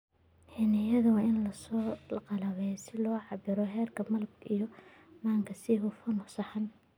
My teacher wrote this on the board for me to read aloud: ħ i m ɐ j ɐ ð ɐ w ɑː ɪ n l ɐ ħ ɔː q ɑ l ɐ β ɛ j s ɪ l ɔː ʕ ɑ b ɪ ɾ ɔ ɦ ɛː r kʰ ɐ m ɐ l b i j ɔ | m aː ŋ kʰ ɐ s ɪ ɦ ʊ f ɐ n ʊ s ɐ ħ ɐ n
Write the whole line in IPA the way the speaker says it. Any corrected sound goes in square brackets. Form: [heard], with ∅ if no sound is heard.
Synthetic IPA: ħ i [n] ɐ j ɐ ð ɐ w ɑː ɪ n l ɐ [s] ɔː q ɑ l ɐ β ɛ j s ɪ l ɔː ʕ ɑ b ɪ ɾ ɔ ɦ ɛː r kʰ ɐ m ɐ l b i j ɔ | m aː ŋ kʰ ɐ s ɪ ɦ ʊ f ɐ n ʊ s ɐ ħ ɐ n